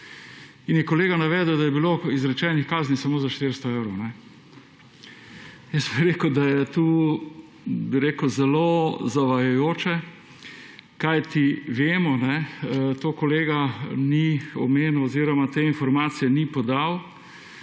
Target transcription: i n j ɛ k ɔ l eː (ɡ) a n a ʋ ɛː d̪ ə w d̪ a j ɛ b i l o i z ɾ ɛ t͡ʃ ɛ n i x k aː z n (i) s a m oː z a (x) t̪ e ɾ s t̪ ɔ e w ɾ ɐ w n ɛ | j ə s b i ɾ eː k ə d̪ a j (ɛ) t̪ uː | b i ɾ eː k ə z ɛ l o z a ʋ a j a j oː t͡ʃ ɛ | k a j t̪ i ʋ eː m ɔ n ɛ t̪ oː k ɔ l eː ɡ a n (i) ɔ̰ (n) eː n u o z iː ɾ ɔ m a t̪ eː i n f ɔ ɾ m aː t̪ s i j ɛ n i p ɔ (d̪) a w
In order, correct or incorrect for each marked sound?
correct, correct, incorrect: ʃ, correct, correct, incorrect: m, correct

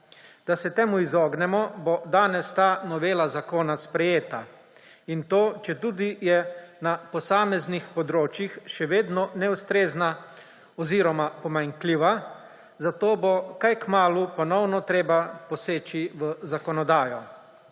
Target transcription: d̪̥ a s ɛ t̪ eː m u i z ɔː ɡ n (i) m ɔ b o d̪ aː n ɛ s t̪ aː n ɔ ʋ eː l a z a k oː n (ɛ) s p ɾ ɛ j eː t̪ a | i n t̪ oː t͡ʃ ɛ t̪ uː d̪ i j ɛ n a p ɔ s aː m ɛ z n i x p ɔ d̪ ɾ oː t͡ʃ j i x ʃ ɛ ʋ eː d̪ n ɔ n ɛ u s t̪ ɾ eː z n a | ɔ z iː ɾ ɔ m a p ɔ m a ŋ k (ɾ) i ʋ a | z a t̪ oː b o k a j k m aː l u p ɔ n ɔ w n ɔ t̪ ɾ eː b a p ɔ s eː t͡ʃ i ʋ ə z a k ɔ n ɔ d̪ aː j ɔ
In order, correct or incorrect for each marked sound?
incorrect: ɛ, incorrect: a, incorrect: l

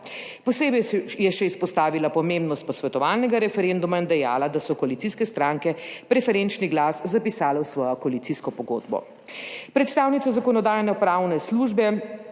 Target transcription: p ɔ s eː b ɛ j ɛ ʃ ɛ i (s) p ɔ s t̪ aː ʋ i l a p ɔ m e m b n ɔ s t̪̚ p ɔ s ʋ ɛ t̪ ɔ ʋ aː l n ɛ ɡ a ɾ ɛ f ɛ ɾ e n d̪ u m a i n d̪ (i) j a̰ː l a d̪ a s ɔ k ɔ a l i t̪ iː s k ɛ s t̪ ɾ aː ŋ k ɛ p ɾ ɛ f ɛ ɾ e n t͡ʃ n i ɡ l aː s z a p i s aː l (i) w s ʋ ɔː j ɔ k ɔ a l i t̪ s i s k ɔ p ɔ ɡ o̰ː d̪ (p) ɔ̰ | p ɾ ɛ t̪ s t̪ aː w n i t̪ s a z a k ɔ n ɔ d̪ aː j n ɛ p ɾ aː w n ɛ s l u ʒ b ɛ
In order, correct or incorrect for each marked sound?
correct, incorrect: ɛ, incorrect: ɛ, incorrect: b

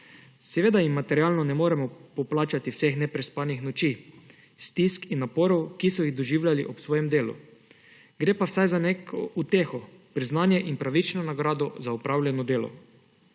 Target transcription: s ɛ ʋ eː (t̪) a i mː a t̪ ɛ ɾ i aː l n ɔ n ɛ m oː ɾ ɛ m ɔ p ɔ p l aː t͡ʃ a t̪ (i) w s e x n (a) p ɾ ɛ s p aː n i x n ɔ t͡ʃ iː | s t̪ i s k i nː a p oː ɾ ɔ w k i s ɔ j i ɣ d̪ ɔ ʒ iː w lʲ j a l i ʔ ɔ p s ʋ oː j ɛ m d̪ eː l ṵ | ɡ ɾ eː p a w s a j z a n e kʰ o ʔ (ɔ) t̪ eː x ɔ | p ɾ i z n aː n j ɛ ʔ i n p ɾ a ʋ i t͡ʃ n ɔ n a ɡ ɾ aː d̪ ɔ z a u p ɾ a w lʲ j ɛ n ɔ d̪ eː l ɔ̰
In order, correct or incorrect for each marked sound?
incorrect: d̪, correct, incorrect: ɛ, incorrect: u

